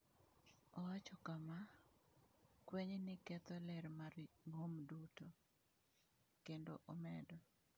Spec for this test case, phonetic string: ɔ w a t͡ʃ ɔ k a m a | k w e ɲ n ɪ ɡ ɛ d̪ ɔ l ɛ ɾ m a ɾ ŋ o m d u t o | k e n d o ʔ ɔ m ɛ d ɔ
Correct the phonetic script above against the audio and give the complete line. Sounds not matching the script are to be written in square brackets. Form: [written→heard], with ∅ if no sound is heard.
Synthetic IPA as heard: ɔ w a t͡ʃ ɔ k a m a | k w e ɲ n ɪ [ɡ→k] ɛ [d̪→t̪] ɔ l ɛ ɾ m a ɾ ŋ o m d u t o | k e n d o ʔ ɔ m ɛ d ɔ